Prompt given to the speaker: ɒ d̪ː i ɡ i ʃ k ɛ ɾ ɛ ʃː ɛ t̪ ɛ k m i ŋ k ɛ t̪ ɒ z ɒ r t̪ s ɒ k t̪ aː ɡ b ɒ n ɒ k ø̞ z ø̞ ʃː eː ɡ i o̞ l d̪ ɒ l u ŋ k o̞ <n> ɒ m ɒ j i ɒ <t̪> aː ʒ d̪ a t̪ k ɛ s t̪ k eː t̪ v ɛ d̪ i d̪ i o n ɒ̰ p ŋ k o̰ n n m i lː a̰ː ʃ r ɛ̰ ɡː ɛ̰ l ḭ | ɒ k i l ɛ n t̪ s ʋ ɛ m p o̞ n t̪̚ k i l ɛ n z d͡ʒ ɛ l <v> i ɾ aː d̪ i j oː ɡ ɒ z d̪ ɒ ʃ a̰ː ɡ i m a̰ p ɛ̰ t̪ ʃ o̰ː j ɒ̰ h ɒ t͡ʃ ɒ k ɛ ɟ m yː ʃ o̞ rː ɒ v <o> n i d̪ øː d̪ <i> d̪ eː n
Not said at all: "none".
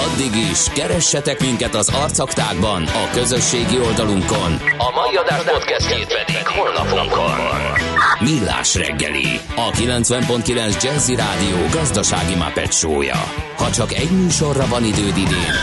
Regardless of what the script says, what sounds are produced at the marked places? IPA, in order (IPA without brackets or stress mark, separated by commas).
n, d̪, z, ɒ, i